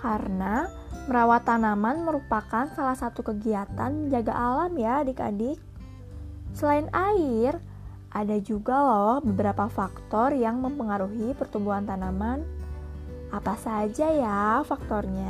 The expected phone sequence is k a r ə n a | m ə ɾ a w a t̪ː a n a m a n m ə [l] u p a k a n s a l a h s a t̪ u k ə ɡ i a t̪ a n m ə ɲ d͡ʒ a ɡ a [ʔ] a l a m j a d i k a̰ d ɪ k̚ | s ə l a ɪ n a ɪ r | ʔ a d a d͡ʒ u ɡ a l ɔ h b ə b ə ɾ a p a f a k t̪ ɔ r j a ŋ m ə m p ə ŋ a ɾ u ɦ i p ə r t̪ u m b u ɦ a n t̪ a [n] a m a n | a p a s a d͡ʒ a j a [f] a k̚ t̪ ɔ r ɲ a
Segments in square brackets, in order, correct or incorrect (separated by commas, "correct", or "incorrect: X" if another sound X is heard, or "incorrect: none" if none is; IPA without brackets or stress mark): incorrect: ɾ, correct, correct, correct